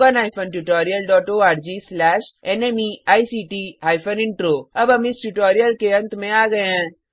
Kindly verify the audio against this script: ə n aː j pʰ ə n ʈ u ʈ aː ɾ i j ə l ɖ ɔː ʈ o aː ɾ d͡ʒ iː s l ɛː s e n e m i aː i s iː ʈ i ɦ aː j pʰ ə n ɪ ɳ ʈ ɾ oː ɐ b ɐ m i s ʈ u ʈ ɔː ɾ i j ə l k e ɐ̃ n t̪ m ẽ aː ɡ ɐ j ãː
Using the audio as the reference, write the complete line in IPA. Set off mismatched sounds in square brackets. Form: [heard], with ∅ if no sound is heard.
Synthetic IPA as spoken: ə n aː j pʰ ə n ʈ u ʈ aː ɾ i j ə l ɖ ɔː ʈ o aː ɾ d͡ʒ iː s l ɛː [ʃ] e n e m i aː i s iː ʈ i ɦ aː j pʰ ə n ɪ ɳ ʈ ɾ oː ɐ b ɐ m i s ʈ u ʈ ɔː ɾ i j ə l k e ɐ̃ n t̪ m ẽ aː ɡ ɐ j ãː